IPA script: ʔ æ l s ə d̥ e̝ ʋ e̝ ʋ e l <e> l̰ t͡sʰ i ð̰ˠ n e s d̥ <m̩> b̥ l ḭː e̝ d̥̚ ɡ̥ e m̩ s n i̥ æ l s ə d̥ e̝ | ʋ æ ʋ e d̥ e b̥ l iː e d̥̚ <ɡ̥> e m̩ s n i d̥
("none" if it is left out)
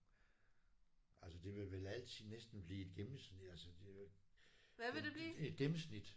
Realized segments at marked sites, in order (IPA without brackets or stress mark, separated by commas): æ, n̩, ɡ̥